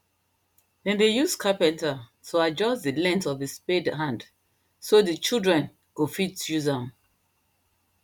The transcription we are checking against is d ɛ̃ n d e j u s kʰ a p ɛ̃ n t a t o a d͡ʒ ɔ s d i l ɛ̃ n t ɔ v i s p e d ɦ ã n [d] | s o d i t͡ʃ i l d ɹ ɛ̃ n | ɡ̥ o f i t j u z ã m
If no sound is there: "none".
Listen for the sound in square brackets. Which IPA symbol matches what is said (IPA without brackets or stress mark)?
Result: d